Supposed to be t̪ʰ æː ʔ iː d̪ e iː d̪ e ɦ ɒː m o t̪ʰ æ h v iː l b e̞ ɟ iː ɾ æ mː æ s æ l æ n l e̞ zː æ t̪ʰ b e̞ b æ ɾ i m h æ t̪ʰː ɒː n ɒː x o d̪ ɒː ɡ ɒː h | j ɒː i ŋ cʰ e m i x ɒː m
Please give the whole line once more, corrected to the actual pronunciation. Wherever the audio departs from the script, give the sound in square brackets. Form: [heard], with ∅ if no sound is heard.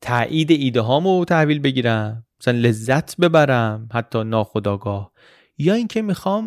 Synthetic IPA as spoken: t̪ʰ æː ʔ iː d̪ e iː d̪ e ɦ ɒː m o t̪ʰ æ h v iː l b e̞ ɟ iː ɾ æ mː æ s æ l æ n l e̞ zː æ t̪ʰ b e̞ b æ ɾ [æ] m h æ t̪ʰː ɒː n ɒː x o d̪ ɒː ɡ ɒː h | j ɒː i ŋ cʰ e m i x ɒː m